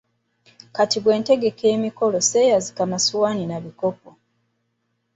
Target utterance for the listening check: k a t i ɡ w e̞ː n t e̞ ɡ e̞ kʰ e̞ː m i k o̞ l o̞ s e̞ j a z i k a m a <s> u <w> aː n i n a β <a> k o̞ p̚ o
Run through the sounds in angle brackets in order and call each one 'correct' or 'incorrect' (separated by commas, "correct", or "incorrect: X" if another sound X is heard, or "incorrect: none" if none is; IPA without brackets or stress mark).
correct, correct, incorrect: i